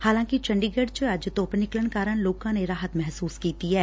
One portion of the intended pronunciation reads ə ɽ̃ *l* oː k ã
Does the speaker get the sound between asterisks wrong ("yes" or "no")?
no